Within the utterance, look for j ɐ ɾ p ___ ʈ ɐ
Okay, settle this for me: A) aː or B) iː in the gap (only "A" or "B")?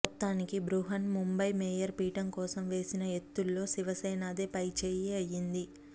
B